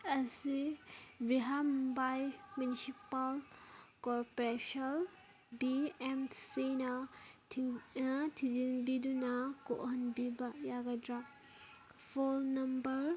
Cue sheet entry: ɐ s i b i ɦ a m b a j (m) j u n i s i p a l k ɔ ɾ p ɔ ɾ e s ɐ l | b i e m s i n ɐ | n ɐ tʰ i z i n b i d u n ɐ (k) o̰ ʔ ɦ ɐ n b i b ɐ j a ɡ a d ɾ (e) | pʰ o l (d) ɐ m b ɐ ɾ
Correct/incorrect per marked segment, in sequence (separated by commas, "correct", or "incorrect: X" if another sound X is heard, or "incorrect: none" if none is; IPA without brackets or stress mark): correct, correct, incorrect: a, incorrect: n